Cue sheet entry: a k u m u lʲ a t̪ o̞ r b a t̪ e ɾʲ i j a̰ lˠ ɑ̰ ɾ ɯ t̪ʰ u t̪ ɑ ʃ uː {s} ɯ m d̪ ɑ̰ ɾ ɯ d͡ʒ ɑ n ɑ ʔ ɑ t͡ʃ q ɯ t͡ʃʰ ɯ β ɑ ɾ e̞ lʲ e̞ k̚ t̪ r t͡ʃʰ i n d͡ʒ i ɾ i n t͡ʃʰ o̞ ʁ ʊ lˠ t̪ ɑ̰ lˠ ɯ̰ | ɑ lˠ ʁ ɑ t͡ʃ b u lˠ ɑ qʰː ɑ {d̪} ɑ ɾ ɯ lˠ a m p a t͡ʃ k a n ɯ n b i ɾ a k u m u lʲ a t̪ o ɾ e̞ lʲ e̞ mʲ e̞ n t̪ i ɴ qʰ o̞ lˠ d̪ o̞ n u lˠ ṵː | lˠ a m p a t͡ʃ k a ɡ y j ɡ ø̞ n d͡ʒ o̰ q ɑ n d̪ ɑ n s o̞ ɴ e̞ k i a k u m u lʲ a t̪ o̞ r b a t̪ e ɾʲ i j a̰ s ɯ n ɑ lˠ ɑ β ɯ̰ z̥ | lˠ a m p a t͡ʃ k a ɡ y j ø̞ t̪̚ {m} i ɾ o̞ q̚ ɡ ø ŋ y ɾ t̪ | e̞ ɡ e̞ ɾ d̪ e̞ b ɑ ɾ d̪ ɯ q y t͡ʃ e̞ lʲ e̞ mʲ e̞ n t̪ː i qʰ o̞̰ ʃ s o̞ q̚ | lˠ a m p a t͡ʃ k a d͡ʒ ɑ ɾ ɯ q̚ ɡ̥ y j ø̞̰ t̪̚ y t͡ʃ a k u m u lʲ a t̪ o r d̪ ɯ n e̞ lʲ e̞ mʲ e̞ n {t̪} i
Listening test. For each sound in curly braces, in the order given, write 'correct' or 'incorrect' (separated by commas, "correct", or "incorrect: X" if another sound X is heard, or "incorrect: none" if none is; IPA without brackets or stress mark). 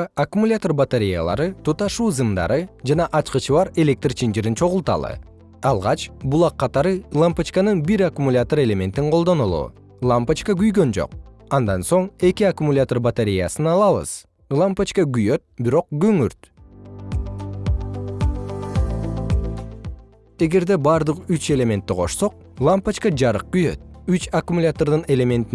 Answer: incorrect: z, incorrect: t̪, incorrect: b, correct